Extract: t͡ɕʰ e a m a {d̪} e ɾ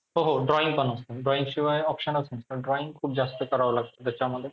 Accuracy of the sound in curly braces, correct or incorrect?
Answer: correct